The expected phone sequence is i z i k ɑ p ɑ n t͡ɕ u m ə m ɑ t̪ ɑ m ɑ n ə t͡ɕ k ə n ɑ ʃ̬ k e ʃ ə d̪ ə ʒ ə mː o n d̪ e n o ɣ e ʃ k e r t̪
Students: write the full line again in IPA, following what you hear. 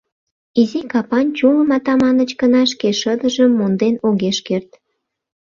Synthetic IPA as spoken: i z i k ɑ p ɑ n t͡ɕ u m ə m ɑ t̪ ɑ m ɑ n ə t͡ɕ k ə n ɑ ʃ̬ k e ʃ ə d̪ ə ʒ ə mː o n d̪ e n o ɣ e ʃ k e r t̪